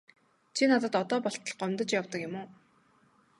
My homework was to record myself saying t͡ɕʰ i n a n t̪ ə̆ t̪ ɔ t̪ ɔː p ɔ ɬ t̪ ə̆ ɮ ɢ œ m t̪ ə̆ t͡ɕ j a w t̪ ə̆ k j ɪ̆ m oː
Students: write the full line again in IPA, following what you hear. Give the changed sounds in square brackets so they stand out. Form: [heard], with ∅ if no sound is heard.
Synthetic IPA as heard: t͡ɕʰ i n a [∅] t̪ ə̆ t̪ ɔ t̪ ɔː p ɔ ɬ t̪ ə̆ ɮ ɢ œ m t̪ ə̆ t͡ɕ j a w t̪ ə̆ k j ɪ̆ m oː